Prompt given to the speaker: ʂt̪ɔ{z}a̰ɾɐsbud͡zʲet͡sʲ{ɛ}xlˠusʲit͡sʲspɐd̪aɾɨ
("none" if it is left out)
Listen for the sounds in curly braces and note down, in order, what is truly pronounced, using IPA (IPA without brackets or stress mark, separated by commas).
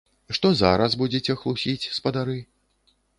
z, ɛ